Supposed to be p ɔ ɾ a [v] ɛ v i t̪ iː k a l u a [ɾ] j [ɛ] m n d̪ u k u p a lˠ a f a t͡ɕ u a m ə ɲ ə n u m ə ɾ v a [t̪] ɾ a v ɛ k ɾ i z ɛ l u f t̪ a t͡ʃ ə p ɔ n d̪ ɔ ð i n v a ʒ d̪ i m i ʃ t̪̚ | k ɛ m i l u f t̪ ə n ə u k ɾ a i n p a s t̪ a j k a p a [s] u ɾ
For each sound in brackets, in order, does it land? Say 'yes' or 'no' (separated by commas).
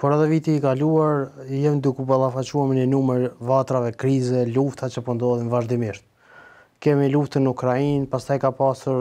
no, yes, yes, yes, yes